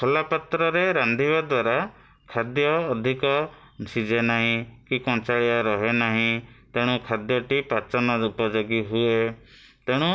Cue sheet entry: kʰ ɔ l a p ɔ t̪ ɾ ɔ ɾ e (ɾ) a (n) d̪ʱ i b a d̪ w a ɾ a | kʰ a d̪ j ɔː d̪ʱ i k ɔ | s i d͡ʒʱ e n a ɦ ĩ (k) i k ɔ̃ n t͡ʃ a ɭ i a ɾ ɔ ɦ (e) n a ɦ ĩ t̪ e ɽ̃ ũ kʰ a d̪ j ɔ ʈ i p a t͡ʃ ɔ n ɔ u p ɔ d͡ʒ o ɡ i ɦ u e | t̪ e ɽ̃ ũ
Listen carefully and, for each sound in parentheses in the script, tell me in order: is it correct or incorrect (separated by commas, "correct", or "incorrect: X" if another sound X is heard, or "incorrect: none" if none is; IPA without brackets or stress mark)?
correct, correct, correct, correct